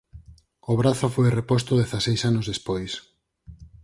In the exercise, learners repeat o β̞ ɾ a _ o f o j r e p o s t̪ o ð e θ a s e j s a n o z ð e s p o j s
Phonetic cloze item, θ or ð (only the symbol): θ